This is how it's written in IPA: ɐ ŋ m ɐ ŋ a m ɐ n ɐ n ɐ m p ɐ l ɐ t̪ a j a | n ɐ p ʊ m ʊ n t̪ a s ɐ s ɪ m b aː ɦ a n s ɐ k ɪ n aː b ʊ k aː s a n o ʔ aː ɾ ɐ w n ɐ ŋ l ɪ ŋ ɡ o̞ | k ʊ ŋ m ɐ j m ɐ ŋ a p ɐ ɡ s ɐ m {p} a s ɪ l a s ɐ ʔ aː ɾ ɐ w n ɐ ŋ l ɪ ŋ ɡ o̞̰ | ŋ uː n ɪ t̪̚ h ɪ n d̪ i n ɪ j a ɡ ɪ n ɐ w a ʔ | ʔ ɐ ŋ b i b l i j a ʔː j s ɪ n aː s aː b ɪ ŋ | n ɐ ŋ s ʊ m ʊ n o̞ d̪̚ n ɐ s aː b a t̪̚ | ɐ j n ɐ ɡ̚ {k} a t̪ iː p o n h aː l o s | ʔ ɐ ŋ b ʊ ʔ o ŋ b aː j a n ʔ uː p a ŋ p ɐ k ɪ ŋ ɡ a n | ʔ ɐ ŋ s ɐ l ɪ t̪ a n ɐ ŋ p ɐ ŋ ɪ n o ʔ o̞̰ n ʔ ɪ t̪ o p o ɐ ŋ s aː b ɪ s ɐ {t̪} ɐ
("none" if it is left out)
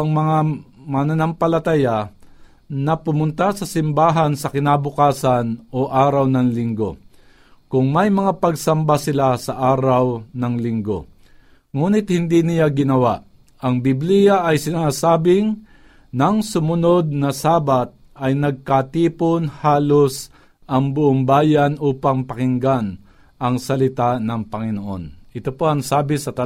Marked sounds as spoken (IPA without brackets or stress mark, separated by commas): b, k, t̪